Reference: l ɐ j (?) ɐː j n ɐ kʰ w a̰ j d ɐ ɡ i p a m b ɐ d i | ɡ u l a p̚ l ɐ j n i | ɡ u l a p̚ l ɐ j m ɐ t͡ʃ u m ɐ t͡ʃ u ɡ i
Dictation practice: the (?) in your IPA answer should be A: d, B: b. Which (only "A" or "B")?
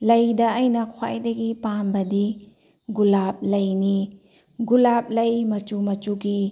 A